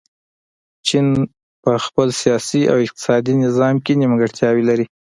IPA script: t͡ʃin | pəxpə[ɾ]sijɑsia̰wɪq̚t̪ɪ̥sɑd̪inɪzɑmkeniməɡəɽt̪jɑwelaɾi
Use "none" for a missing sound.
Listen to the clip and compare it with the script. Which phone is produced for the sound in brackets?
l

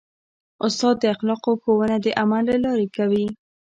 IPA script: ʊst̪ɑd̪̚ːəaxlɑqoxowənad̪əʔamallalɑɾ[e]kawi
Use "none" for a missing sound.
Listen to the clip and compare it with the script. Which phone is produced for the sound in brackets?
e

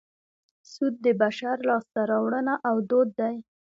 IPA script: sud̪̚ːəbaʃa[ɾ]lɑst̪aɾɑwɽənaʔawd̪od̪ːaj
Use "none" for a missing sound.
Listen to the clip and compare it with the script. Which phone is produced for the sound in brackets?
ɾ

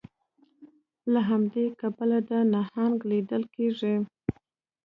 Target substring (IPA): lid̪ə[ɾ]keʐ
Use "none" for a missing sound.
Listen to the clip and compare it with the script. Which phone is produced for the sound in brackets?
l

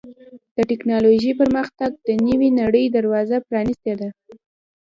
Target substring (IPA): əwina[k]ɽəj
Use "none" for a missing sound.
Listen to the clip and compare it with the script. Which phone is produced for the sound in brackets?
none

